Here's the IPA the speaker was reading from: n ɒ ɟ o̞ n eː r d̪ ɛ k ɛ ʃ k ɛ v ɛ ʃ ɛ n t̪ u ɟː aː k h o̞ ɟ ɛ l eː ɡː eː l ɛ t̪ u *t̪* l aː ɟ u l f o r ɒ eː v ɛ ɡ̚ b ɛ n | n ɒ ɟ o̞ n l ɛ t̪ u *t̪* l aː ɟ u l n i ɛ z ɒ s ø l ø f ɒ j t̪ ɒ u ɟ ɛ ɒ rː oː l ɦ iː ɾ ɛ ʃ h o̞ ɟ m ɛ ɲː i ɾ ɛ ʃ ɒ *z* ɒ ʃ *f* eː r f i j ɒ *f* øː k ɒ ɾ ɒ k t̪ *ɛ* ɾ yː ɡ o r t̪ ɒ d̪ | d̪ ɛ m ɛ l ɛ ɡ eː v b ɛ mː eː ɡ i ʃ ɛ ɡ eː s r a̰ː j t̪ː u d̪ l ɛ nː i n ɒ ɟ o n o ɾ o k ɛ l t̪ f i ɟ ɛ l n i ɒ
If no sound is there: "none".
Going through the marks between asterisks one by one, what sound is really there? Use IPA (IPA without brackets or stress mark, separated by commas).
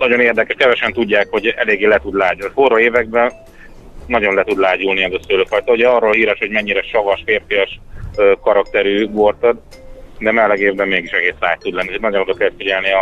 d̪, d̪, v, f, ʃ, ɛ